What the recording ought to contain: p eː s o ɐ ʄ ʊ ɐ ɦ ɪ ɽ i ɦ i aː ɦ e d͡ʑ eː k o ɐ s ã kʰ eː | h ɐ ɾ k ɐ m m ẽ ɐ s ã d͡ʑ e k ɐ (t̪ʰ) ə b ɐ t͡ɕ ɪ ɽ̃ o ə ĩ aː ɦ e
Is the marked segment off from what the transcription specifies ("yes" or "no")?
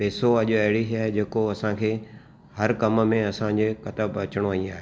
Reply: yes